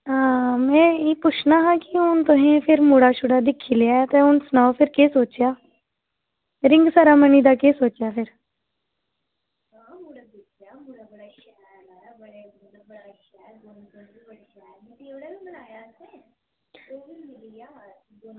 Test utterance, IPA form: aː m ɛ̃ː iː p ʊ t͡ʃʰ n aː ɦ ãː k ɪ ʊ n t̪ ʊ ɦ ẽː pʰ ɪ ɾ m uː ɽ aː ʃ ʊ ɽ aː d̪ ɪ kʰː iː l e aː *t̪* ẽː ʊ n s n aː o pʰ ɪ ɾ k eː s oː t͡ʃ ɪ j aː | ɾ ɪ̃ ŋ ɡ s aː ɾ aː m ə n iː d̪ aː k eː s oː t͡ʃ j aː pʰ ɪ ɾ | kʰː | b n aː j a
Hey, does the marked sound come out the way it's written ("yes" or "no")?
yes